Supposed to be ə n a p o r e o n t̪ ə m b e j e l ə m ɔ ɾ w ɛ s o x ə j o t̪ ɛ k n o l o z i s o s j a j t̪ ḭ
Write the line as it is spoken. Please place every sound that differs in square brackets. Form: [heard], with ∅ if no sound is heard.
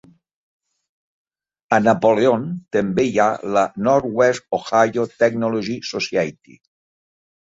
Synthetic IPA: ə n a p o [l] e o n t̪ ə m b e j [a] l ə [n] ɔ ɾ w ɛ s o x [a] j o t̪ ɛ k n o l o [ʒ] i s o s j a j t̪ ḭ